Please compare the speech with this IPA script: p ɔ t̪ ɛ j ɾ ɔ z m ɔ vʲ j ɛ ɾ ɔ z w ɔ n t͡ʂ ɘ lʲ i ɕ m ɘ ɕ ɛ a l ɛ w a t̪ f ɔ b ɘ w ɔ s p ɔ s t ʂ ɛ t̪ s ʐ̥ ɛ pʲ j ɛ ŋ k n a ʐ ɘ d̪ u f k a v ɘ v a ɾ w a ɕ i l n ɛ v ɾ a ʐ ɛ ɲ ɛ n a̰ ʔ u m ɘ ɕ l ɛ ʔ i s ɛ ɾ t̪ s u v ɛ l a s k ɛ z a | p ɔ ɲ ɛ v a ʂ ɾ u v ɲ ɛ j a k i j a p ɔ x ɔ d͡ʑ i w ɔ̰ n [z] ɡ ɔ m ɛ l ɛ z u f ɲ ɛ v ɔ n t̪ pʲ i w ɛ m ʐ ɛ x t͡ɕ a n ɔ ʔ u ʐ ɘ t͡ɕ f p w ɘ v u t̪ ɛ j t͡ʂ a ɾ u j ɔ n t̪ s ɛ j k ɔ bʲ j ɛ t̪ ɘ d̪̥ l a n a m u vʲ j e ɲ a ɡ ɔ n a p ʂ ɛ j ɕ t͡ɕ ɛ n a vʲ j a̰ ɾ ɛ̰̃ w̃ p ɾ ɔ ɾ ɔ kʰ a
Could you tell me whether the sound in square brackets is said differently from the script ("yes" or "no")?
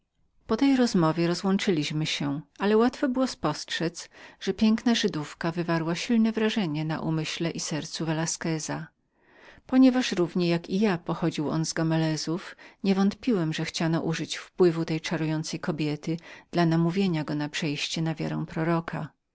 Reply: no